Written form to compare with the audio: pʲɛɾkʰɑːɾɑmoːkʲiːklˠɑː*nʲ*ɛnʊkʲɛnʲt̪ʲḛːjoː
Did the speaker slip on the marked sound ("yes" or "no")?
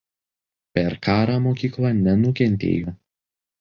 no